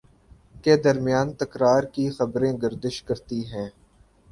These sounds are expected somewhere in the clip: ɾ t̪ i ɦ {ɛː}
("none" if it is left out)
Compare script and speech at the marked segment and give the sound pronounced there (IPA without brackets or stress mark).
ɛ̃ː